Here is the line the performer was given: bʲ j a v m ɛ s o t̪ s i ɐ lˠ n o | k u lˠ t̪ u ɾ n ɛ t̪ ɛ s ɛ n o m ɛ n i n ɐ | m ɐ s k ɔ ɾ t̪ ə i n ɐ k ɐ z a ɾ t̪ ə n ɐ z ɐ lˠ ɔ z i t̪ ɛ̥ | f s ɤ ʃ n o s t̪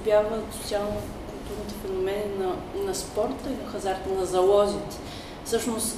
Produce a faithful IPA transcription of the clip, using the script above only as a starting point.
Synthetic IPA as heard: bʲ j a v m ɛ s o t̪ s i a lˠ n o | k u lˠ t̪ u ɾ n i t̪ ɛ f ɛ n o m ɛ n i n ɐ | n ɐ s p ɔ ɾ t̪ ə i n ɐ x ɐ z a ɾ t̪ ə n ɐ z ɐ lˠ ɔ z i t̪ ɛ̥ | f s ɤ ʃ n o s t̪